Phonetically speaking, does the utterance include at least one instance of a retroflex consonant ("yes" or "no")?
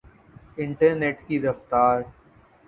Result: yes